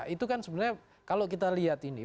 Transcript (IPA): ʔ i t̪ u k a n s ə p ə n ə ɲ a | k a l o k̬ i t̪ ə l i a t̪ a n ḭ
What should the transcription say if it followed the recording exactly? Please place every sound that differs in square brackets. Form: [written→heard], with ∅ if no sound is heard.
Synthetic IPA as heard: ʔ i t̪ u k a n s ə [p→b] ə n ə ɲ a | k a l o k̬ i t̪ [ə→a] l i a t̪ [a→i] n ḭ